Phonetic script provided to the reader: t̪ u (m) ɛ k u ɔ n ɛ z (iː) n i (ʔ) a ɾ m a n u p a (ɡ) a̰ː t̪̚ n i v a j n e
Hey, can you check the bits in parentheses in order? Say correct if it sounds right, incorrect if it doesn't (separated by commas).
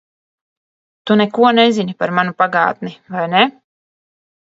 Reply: incorrect, incorrect, incorrect, correct